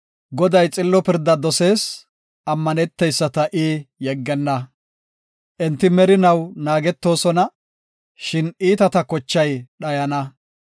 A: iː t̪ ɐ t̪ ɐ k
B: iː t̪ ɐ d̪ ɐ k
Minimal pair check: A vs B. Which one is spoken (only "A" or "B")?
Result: A